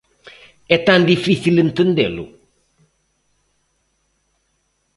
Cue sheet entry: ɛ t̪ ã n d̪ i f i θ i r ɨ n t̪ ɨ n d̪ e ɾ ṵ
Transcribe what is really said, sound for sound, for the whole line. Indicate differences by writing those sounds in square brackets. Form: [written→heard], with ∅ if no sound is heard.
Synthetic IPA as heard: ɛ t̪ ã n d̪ i f i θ i [r→l] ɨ n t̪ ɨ n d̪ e [ɾ→l] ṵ